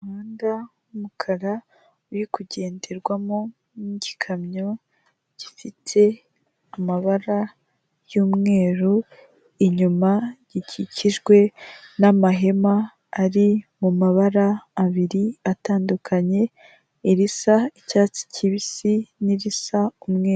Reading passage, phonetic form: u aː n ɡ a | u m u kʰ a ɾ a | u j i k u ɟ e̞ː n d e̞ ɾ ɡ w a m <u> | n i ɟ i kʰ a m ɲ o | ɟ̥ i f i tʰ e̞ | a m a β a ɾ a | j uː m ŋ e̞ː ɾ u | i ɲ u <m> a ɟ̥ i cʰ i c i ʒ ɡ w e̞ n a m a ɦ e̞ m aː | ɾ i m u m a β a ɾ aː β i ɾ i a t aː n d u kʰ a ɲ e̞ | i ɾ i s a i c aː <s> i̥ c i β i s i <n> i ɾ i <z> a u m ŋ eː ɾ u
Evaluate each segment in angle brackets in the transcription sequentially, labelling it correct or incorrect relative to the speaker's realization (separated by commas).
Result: incorrect, correct, incorrect, correct, incorrect